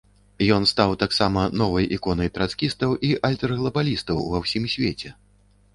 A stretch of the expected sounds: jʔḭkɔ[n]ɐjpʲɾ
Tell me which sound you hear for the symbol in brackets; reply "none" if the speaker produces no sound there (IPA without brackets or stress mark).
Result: n